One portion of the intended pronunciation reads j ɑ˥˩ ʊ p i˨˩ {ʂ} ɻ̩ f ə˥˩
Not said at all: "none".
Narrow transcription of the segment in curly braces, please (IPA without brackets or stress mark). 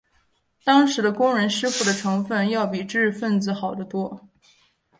ʈ͡ʂ